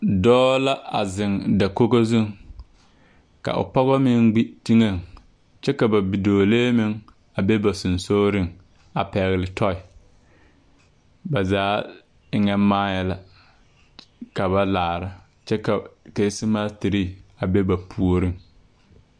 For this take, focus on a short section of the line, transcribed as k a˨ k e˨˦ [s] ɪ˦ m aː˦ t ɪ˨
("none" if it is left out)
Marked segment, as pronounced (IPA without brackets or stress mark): s